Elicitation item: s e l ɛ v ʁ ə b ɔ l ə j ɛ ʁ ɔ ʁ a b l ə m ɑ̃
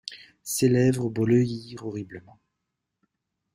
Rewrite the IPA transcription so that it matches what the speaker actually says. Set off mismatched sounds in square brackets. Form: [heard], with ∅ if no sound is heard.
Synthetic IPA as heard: s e l ɛ v ʁ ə b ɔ l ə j [i] ʁ ɔ ʁ [i] b l ə m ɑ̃

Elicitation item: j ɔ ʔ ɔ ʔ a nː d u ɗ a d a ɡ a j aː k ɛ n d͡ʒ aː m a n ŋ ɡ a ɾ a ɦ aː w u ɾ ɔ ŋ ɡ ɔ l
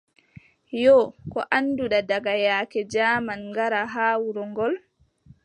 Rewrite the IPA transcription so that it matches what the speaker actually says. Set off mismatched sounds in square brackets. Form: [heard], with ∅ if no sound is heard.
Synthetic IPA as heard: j ɔ [k] ɔ ʔ a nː d u ɗ a d a ɡ a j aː k ɛ [∅] d͡ʒ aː m a n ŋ ɡ a ɾ a ɦ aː w u ɾ ɔ ŋ ɡ ɔ l

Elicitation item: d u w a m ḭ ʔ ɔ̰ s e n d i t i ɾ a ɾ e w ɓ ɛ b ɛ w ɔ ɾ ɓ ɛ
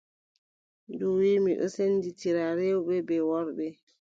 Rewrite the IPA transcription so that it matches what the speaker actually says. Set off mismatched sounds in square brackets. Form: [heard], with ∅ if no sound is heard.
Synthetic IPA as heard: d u w [i] m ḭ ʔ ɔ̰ s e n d i t i ɾ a ɾ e w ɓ ɛ b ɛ w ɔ ɾ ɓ ɛ

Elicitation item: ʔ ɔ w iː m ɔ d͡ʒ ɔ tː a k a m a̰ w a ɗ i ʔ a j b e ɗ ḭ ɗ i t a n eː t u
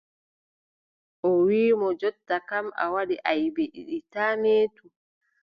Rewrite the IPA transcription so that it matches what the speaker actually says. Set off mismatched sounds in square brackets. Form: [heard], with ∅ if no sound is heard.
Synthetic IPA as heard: ʔ ɔ w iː m ɔ d͡ʒ ɔ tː a k a m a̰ w a ɗ i ʔ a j b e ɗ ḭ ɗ i t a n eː t u

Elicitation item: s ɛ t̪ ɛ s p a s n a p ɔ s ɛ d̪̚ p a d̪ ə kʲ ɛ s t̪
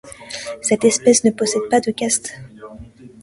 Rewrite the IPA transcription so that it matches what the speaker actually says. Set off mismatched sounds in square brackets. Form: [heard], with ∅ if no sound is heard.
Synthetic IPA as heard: s ɛ t̪ ɛ s p [ɛ] s n [ə] p ɔ s ɛ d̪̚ p a d̪ ə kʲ [a] s t̪

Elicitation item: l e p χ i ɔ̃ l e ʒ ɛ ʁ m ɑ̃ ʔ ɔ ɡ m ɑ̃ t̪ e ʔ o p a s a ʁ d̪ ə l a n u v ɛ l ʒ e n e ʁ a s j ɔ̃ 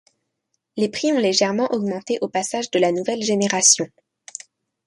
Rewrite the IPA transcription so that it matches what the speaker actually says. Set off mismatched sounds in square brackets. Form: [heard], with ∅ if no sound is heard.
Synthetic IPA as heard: l e p χ i ɔ̃ l e ʒ ɛ ʁ m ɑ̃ ʔ ɔ ɡ m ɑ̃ t̪ e ʔ o p a s a [ʒ] d̪ ə l a n u v ɛ l ʒ e n e ʁ a s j ɔ̃

